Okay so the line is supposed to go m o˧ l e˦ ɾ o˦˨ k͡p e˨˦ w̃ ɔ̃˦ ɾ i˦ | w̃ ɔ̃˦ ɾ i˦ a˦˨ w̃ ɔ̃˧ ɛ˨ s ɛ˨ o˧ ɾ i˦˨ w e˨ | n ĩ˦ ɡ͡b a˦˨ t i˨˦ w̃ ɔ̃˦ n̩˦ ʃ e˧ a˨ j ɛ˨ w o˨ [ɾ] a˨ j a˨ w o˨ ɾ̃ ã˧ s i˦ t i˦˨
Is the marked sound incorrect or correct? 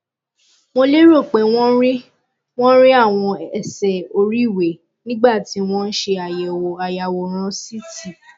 incorrect